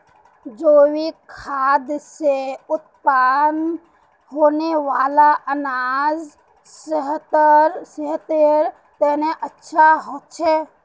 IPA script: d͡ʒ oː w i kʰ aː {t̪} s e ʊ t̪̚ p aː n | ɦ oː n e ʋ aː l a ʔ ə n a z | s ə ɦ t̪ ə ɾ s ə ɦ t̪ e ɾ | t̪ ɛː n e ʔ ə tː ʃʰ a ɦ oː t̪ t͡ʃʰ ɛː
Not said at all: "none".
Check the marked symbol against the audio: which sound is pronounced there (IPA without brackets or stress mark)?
d̪